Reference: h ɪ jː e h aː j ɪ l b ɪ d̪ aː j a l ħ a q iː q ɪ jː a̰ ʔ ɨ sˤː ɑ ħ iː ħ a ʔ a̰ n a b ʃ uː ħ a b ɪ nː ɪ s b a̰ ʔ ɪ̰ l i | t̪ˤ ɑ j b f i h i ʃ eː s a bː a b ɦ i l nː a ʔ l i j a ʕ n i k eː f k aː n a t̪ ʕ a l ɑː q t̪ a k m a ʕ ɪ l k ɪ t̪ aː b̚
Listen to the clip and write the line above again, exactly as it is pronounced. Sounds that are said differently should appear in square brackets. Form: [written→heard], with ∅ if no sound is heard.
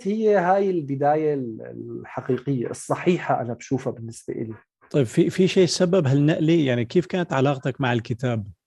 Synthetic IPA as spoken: h ɪ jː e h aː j ɪ l b ɪ d̪ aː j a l ħ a q iː q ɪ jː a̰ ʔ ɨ sˤː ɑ ħ iː ħ a ʔ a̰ n a b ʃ uː [ħ→f] a b ɪ nː ɪ s b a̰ ʔ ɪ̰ l i | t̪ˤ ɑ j b f i [h→f] i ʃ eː s a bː a b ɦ [i→a] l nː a ʔ l i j a ʕ n i k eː f k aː n a t̪ ʕ a l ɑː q t̪ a k m a ʕ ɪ l k ɪ t̪ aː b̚